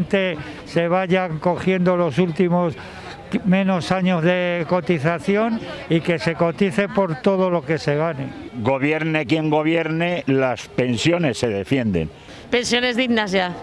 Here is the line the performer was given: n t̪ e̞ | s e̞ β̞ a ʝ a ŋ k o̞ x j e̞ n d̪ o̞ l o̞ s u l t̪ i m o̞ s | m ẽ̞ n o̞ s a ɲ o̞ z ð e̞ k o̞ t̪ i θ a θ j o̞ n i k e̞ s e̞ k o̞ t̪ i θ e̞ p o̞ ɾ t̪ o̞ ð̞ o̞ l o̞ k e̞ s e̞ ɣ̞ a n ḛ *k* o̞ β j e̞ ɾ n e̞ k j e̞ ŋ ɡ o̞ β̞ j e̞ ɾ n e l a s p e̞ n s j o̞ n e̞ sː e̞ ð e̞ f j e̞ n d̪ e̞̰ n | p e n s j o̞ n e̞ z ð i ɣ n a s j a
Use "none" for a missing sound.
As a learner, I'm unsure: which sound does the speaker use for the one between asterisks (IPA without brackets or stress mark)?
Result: ɡ